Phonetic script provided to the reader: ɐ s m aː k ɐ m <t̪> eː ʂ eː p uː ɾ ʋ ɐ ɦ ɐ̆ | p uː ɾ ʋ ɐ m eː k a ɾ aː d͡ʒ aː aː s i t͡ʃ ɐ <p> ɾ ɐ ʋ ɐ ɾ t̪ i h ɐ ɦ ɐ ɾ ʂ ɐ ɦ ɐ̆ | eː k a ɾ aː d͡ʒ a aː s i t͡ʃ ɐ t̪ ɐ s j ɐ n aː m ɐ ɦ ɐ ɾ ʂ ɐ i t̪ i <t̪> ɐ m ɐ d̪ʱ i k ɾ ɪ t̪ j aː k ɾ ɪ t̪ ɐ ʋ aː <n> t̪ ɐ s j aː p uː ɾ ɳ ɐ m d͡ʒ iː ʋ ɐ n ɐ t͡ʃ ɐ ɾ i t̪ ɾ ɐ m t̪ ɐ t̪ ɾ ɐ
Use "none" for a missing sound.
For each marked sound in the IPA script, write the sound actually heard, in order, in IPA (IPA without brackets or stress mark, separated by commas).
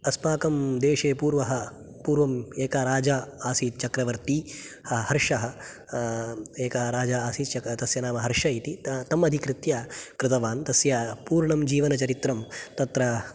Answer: d̪, k, t̪, n